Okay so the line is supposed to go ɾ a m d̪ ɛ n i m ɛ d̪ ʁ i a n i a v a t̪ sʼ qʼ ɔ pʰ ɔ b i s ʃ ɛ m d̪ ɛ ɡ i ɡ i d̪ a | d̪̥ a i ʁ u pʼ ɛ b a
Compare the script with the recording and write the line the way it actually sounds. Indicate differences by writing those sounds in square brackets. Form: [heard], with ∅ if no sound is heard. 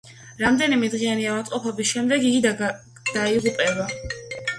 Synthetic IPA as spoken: ɾ a m d̪ ɛ n i m ɛ d̪ ʁ i a n i a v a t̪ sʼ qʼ ɔ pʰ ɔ b i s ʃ ɛ m d̪ ɛ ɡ i ɡ i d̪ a | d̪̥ a i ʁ u pʼ ɛ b a